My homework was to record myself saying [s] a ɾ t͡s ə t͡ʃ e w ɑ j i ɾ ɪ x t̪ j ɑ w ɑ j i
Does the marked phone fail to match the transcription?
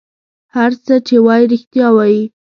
yes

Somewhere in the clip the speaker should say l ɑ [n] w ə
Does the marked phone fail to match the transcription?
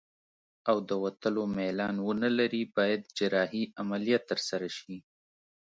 no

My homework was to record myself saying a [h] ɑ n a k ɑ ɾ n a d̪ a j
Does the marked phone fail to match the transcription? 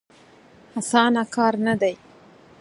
yes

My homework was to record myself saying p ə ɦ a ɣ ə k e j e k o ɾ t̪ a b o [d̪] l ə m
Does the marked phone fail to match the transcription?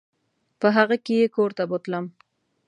yes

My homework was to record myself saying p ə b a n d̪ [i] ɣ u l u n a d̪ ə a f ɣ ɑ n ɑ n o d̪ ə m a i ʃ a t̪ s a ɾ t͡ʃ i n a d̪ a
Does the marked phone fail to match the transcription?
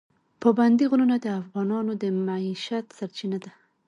no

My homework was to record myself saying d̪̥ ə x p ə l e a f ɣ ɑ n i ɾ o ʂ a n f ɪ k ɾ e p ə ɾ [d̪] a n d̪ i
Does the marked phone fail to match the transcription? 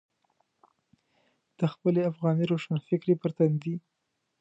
yes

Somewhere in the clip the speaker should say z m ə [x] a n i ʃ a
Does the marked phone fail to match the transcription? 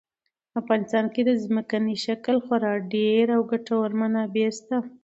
yes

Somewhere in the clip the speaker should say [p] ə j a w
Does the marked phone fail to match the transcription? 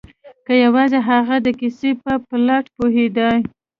yes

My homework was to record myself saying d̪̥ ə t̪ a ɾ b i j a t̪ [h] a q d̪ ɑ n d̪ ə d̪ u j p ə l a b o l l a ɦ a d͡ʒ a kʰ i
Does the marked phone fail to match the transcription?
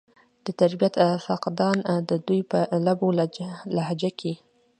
yes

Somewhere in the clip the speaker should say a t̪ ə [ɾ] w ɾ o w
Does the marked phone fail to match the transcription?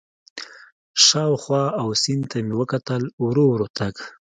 yes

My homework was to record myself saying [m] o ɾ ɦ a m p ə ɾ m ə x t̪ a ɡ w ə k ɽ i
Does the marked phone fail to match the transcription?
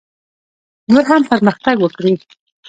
yes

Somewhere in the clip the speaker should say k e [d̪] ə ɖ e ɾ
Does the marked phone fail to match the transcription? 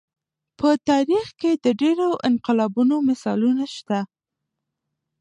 no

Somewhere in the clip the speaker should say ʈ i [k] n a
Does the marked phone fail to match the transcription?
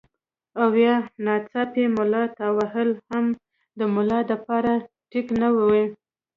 no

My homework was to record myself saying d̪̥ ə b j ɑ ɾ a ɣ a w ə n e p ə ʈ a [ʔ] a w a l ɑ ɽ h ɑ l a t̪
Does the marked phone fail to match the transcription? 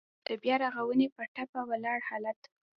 yes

